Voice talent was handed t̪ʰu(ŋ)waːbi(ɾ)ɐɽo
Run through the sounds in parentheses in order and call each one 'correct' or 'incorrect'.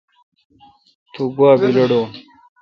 incorrect, incorrect

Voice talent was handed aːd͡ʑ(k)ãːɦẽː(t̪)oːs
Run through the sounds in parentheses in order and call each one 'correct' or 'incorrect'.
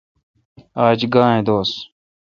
incorrect, incorrect

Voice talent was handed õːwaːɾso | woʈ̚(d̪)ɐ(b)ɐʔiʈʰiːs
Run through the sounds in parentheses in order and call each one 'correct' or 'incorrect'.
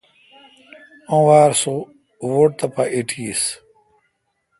incorrect, incorrect

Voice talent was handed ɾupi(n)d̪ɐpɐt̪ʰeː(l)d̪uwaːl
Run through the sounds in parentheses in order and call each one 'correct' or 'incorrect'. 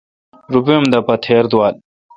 incorrect, incorrect

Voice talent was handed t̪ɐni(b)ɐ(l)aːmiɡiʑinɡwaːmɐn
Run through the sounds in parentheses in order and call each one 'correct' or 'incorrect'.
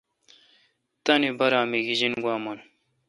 correct, incorrect

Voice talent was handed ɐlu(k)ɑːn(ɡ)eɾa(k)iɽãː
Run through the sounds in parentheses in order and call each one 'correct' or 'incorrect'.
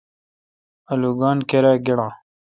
incorrect, incorrect, incorrect

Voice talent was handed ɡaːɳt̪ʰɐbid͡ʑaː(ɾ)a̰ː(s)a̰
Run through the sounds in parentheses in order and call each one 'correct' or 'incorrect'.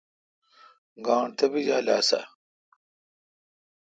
incorrect, correct

